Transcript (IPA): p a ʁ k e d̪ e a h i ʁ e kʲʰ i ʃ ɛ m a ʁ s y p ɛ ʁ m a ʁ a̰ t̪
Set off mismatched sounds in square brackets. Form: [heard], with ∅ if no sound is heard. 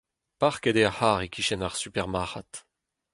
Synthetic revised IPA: p a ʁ k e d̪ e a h [a] ʁ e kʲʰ i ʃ ɛ [n] a ʁ s y p ɛ ʁ m a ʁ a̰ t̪